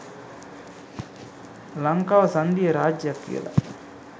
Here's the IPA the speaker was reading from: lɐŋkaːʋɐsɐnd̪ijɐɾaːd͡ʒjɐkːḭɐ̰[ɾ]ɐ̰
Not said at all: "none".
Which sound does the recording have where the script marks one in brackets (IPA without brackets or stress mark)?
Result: l